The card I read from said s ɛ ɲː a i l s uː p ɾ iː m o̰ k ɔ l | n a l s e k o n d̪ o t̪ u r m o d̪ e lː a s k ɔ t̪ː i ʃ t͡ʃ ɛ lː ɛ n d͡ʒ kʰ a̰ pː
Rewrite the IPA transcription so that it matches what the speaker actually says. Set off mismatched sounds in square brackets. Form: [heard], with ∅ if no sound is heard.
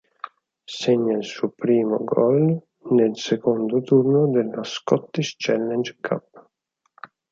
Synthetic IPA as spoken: s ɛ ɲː a i l s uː p ɾ iː m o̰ [ɡ] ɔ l | n [e] l s e k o n d̪ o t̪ u r [n] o d̪ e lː a s k ɔ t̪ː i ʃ t͡ʃ ɛ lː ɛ n d͡ʒ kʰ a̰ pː